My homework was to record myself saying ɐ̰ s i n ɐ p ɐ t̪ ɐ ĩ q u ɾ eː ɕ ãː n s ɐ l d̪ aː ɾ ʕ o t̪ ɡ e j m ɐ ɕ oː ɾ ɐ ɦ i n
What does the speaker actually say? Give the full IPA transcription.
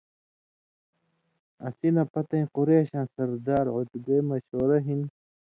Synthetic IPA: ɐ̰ s i n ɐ p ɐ t̪ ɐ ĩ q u ɾ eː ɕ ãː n s ɐ ɾ d̪ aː ɾ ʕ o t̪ ɡ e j m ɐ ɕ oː ɾ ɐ ɦ i n